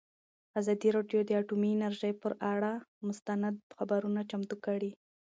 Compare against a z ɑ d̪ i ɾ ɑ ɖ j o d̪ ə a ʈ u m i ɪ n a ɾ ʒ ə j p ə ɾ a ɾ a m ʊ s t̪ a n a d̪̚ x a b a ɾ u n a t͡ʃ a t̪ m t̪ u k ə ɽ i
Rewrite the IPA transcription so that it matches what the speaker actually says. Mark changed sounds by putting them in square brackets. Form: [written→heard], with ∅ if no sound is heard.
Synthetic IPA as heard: a z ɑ d̪ i ɾ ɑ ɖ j o d̪ ə a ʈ u m i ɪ n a ɾ ʒ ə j p ə ɾ a [ɾ→ɽ] a m ʊ s t̪ a n a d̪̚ x a b a ɾ u n a t͡ʃ a [t̪→∅] m t̪ u k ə ɽ i